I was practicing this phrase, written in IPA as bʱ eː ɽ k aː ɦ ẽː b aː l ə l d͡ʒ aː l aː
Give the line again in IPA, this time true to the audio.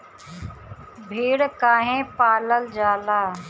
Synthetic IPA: bʱ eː ɽ k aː ɦ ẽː p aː l ə l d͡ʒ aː l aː